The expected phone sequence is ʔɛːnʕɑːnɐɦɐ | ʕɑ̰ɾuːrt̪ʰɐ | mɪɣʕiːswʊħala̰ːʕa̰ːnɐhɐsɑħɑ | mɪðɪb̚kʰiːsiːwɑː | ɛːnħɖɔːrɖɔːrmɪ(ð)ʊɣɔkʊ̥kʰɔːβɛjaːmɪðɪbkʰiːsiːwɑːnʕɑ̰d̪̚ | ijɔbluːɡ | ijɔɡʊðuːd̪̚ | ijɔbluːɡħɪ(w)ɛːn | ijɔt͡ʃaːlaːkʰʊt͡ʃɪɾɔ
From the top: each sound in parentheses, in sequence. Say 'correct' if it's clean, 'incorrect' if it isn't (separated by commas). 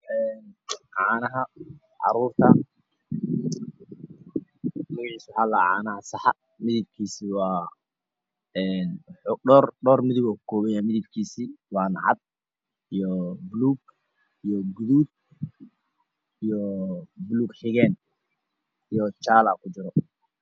correct, incorrect